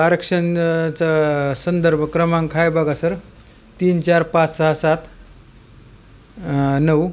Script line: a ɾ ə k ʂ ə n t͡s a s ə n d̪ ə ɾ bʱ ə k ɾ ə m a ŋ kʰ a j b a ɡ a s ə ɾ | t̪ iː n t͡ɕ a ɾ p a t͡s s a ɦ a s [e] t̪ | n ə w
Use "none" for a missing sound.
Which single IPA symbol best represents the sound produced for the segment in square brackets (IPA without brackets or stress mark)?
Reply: a